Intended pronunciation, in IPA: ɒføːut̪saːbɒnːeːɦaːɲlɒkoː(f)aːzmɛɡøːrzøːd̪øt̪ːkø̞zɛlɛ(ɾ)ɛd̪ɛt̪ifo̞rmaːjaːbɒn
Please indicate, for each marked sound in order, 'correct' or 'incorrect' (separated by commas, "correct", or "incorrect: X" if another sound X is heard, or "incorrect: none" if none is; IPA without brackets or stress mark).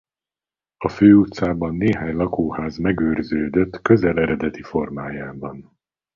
incorrect: h, correct